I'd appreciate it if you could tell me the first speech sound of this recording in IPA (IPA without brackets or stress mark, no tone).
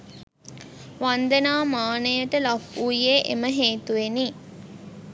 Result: ʋ